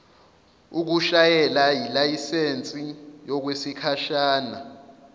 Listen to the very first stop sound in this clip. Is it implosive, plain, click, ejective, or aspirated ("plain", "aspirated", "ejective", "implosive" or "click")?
plain